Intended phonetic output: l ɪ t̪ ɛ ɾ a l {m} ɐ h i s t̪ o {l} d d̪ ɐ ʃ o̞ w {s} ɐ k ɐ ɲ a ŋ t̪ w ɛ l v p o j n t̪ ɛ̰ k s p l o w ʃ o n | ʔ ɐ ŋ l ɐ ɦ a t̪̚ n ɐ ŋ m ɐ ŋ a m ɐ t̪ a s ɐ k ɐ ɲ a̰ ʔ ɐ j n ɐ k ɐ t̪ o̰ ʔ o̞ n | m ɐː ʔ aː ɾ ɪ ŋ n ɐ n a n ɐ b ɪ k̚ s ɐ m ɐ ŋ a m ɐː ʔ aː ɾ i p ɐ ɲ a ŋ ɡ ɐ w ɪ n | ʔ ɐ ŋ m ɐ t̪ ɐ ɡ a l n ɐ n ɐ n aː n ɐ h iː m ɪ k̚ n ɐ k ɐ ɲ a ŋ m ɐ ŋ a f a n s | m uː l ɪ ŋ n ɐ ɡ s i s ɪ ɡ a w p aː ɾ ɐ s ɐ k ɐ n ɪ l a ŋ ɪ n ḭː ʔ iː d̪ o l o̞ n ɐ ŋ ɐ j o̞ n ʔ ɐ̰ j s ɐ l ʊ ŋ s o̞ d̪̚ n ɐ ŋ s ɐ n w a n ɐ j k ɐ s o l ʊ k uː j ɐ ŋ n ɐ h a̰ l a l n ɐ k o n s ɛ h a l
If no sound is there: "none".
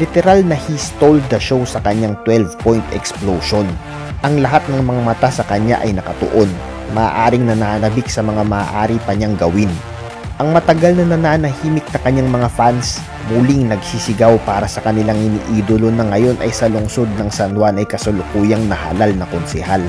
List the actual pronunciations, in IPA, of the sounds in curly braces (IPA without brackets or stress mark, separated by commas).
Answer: n, l, s